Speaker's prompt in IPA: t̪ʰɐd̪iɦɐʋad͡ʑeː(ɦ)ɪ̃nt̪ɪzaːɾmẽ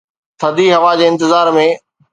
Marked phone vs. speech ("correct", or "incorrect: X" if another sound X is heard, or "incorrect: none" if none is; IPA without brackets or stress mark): incorrect: none